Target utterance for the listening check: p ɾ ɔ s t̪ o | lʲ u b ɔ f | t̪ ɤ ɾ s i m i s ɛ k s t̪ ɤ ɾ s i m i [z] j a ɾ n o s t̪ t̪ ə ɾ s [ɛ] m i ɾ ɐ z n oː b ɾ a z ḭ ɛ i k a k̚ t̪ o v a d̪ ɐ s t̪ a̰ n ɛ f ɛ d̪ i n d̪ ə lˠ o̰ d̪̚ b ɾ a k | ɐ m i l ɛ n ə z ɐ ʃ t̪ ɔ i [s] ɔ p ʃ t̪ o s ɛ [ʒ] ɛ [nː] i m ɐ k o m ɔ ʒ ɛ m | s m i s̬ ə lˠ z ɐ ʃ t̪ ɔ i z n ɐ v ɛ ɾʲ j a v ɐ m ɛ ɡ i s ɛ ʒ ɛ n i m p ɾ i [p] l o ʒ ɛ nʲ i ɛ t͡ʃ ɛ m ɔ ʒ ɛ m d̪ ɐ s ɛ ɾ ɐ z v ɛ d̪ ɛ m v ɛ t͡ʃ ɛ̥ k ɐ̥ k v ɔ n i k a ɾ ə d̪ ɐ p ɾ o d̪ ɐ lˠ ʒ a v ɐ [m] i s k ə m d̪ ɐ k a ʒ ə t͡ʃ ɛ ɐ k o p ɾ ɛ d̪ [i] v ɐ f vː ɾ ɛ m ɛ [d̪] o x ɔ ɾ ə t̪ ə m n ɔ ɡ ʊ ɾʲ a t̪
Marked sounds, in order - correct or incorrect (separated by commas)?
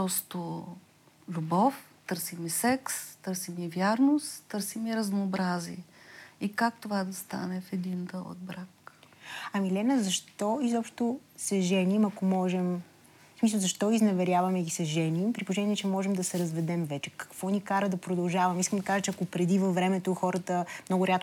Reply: incorrect, incorrect, incorrect, correct, incorrect, correct, correct, correct, incorrect